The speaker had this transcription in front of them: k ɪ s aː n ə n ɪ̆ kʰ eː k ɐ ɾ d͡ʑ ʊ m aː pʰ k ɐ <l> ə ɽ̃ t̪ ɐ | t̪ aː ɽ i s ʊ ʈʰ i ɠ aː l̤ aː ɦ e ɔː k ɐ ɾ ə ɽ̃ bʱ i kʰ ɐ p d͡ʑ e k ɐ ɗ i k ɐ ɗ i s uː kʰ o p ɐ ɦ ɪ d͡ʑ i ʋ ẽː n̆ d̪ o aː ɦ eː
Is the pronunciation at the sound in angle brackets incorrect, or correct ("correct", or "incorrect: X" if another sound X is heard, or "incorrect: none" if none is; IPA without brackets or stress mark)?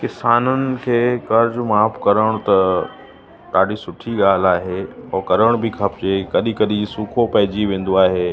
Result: incorrect: ɾ